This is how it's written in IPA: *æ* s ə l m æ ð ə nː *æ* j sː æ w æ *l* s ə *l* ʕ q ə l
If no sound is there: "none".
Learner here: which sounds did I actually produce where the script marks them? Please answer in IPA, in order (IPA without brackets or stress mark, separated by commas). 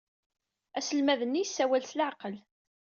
æ, i, l, l